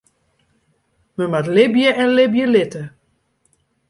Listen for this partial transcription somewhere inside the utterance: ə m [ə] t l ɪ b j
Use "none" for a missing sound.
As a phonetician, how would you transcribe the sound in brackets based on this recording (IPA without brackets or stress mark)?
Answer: a